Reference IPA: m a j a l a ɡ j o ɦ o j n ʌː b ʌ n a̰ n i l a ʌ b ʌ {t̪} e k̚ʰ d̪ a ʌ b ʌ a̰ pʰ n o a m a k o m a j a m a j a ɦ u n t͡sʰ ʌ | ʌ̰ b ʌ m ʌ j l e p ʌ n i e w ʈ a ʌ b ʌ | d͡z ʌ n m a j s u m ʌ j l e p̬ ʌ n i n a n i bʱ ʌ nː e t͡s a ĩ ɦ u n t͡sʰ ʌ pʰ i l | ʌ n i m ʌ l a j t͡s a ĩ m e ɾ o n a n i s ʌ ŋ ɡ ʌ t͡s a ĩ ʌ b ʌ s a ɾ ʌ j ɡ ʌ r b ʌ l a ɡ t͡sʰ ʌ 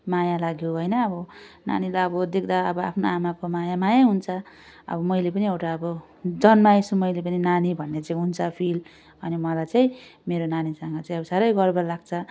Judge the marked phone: incorrect: d̪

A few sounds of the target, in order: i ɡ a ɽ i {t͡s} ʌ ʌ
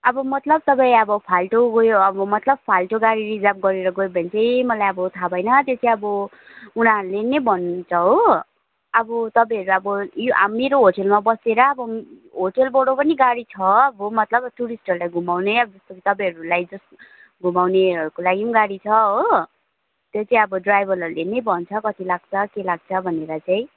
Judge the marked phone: incorrect: t͡sʰ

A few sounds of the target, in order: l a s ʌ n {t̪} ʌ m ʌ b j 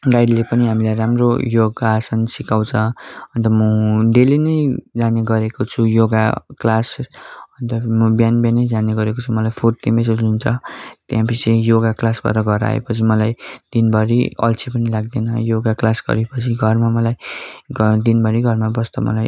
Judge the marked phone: correct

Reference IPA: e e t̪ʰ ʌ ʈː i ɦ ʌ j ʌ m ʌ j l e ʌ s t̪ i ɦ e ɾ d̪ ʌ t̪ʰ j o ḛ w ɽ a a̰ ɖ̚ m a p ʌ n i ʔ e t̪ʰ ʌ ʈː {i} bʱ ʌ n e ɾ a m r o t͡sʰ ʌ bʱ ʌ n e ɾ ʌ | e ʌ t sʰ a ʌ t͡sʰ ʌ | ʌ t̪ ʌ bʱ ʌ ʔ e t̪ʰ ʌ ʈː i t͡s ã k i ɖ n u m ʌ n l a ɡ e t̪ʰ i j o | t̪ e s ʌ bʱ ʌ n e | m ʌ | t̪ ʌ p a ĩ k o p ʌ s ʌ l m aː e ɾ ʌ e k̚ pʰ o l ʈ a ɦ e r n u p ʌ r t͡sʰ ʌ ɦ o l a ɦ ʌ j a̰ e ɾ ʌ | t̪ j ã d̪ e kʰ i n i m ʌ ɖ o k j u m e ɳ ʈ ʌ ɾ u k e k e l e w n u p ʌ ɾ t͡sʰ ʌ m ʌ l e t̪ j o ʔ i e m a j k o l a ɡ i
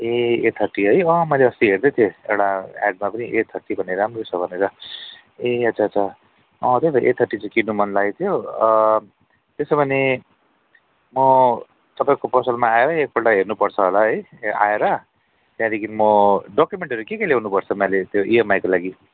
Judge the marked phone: correct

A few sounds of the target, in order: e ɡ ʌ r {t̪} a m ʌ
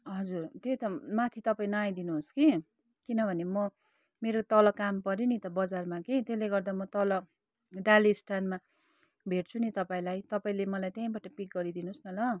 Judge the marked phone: incorrect: d̪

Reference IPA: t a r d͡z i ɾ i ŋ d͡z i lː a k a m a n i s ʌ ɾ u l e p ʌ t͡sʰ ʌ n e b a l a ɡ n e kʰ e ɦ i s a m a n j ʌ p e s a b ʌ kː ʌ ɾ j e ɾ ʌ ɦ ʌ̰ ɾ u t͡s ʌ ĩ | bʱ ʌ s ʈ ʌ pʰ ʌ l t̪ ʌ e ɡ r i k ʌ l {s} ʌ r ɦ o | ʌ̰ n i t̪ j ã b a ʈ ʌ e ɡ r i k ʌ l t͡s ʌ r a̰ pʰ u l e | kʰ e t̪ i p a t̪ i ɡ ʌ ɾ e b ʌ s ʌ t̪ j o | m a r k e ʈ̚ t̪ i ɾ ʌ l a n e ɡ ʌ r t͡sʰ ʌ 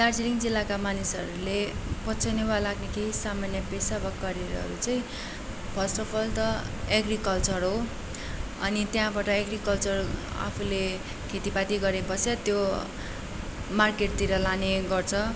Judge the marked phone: incorrect: t͡s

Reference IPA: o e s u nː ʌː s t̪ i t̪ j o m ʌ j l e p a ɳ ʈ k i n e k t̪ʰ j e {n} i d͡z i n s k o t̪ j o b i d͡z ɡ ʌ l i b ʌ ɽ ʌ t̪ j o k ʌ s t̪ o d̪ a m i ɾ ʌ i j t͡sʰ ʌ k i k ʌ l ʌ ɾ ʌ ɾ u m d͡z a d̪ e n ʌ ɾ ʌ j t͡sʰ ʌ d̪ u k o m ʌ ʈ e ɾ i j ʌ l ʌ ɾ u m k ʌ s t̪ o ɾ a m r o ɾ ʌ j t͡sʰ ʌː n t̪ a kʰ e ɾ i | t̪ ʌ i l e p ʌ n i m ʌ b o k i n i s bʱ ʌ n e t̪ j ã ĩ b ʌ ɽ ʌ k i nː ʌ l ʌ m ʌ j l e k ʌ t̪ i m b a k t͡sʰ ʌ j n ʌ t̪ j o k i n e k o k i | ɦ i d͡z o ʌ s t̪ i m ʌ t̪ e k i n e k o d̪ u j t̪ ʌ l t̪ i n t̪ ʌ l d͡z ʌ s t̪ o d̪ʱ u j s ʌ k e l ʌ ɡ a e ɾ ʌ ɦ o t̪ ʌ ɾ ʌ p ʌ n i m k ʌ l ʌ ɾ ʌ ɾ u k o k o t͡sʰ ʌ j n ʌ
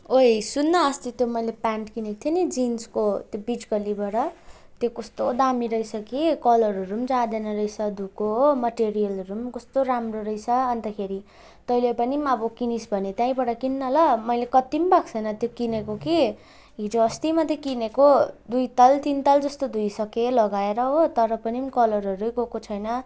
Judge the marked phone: correct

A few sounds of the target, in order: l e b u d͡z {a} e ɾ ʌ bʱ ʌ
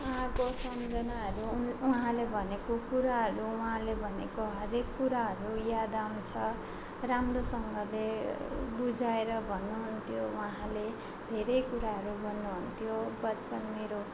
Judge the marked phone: correct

